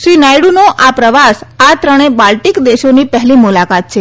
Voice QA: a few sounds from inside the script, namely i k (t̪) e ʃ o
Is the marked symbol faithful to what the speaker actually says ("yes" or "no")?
no